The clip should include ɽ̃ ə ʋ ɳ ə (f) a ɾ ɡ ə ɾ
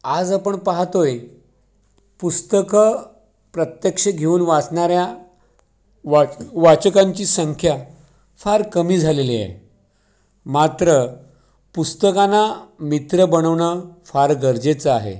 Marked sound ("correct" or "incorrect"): correct